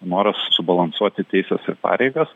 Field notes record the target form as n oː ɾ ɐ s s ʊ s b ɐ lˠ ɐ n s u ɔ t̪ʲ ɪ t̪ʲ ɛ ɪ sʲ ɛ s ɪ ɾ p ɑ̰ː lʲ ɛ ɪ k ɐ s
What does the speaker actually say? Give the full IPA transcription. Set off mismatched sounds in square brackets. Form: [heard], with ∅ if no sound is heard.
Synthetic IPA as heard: n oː ɾ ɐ s s ʊ [∅] b ɐ lˠ ɐ n s u ɔ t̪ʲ ɪ t̪ʲ ɛ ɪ sʲ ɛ s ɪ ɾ p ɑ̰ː [ɾʲ] ɛ ɪ [ɡ] ɐ s